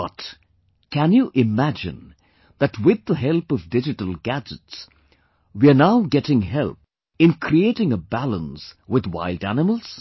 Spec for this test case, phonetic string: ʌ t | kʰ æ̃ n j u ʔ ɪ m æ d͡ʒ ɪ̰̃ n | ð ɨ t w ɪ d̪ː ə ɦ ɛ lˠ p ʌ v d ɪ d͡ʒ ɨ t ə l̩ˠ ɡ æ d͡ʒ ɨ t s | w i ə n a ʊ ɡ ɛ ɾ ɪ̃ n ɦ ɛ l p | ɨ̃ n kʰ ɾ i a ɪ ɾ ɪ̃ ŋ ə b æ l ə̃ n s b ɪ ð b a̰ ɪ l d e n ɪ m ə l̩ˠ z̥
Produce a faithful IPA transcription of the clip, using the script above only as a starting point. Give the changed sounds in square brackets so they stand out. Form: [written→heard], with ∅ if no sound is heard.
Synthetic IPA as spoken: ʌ t | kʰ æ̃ n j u ʔ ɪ m æ d͡ʒ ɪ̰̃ n | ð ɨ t w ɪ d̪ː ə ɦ ɛ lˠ p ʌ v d ɪ d͡ʒ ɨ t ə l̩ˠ ɡ æ d͡ʒ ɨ t s | w i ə n a ʊ ɡ ɛ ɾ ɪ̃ [n→ŋ] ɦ ɛ l p | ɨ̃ n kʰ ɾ i [a→e] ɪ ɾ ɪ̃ ŋ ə b æ l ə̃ n s [b→w] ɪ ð [b→w] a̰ ɪ l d [e→æ] n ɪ m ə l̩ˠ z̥

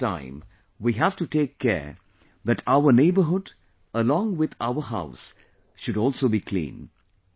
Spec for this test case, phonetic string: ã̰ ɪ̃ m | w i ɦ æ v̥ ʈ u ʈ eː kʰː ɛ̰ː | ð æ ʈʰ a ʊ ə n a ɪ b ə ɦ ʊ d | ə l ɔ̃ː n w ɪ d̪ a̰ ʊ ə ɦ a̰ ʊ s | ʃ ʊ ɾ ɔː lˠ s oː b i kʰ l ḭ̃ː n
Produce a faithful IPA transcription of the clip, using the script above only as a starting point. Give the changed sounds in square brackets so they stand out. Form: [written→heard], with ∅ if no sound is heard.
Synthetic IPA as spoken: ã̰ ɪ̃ m | w i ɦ æ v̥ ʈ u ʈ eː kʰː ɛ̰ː | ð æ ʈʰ a ʊ ə n [a→e] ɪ b ə ɦ ʊ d | ə l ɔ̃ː [n→ŋ] w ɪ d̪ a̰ ʊ ə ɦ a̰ ʊ s | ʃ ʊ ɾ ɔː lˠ s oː b i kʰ l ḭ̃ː n

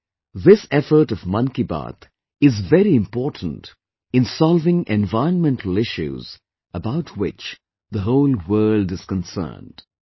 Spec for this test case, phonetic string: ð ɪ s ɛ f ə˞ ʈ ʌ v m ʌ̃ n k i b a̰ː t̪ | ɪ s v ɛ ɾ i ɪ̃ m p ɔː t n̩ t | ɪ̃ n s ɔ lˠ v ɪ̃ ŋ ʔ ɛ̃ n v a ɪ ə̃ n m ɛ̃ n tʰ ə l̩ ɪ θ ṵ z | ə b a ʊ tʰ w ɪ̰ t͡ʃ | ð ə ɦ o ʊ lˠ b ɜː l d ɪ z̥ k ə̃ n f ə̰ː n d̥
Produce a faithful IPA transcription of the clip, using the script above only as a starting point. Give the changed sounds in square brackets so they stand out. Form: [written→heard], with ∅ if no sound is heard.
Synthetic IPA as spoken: ð ɪ s ɛ f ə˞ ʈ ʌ v m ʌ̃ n k i b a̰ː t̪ | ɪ [s→z] v ɛ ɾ i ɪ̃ m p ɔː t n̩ t | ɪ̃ n s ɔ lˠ v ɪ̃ ŋ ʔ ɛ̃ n v a ɪ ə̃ n m ɛ̃ n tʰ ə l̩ ɪ [θ→ʃ] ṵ z | ə b a ʊ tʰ w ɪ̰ t͡ʃ | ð ə ɦ o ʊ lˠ [b→w] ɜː l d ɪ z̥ k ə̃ n [f→s] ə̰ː n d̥

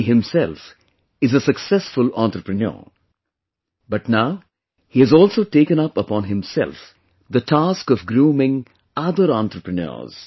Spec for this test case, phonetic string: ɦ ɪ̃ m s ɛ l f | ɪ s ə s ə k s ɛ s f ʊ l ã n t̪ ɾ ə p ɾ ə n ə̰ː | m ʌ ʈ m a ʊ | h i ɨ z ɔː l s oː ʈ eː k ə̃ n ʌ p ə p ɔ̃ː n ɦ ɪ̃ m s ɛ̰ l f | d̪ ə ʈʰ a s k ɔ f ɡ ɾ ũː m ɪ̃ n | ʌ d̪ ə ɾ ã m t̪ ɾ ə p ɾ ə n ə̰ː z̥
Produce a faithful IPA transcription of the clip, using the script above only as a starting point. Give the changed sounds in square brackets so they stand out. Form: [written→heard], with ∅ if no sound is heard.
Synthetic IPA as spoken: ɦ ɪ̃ m s ɛ l f | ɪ [s→z] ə s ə k s ɛ s f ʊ l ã n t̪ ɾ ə p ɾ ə n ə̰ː | [m→b] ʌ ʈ [m→n] a ʊ | h i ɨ z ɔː l s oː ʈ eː k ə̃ n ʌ p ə p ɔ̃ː n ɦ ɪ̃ m s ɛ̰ l f | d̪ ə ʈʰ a s k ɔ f ɡ ɾ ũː m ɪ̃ [n→ŋ] | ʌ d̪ ə ɾ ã [m→n] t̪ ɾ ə p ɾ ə n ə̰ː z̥

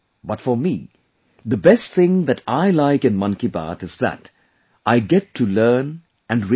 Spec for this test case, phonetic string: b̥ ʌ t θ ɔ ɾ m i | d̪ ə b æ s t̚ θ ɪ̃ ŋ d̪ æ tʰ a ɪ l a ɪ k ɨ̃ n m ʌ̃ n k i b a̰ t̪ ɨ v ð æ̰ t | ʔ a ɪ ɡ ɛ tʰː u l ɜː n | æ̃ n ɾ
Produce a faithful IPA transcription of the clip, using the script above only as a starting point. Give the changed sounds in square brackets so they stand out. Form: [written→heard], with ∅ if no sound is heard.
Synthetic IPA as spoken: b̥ ʌ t [θ→f] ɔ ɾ m i | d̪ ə b [æ→ɛ] s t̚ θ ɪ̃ ŋ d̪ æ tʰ a ɪ l a ɪ k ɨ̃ n m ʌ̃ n k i b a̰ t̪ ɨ [v→z] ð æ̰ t | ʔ a ɪ ɡ ɛ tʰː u l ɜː n | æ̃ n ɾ

